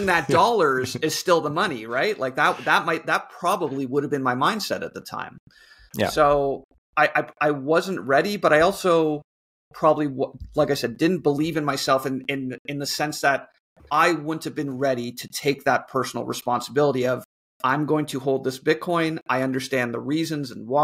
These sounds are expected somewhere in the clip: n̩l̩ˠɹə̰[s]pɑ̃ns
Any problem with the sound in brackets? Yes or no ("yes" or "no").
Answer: no